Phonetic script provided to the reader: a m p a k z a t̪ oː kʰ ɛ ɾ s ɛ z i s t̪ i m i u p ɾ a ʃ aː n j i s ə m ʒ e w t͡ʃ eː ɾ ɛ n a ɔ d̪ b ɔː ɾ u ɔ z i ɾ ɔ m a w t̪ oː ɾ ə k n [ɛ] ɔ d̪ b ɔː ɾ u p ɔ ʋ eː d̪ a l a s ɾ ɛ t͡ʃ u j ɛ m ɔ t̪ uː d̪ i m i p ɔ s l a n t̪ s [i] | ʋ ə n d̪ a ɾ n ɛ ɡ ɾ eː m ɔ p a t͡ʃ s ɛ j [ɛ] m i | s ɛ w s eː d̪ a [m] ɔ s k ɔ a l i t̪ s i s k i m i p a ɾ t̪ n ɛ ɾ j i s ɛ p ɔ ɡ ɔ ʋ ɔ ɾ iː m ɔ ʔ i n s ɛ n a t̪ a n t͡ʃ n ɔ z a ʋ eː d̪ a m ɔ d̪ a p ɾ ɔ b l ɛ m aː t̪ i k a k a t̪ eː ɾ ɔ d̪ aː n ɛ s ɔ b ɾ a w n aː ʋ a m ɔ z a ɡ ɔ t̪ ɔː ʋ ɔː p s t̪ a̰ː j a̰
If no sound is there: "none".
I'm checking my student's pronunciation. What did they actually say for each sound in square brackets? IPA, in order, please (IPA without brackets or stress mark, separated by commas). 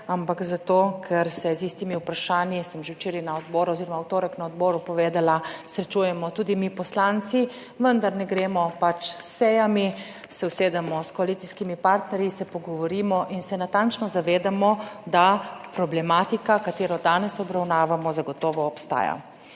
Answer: a, i, a, m